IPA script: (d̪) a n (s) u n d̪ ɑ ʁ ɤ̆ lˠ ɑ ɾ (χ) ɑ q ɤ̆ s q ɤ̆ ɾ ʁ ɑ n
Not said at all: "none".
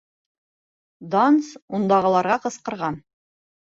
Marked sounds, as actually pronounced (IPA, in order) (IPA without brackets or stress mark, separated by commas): d̪, s, ʁ